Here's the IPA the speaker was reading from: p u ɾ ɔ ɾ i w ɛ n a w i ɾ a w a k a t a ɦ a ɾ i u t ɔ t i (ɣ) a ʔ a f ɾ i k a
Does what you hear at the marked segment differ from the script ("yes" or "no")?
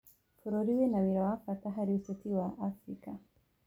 yes